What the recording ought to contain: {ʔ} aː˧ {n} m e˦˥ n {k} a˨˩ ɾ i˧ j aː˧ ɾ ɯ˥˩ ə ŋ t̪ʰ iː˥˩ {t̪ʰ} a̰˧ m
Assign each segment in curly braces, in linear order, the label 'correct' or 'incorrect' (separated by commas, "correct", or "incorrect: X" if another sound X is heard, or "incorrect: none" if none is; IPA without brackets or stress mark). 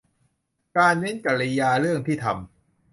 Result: incorrect: k, correct, correct, correct